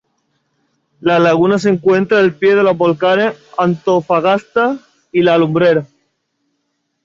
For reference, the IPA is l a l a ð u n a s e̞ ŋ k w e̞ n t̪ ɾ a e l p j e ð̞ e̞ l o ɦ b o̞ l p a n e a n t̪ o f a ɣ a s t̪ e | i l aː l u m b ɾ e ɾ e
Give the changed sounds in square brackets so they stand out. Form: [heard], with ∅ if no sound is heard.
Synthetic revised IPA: l a l a [ɣ] u n a s e̞ ŋ k w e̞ n t̪ ɾ a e l p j e ð̞ e̞ l o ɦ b o̞ l [k] a n e a n t̪ o f a ɣ a s t̪ [a] | i l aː l u m b ɾ e ɾ [a]